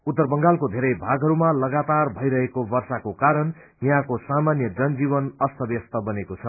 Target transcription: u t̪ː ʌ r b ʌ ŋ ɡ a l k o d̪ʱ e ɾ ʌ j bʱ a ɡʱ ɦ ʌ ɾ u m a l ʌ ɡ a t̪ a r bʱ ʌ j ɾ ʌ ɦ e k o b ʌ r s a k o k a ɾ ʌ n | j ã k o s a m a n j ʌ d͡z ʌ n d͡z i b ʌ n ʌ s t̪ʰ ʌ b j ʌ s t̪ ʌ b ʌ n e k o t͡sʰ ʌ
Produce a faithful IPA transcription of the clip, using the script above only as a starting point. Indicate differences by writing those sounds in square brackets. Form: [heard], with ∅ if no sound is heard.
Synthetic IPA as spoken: u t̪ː ʌ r b ʌ ŋ ɡ a l k o d̪ʱ e ɾ ʌ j bʱ a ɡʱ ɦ ʌ ɾ u m a l ʌ ɡ a t̪ a r bʱ ʌ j ɾ ʌ ɦ e k o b ʌ r s a k o k a ɾ ʌ n | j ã k o s a m a n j ʌ d͡z ʌ n d͡z i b ʌ n ʌ s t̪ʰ ʌ b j ʌ s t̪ ʌ b ʌ n e k o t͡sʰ ʌ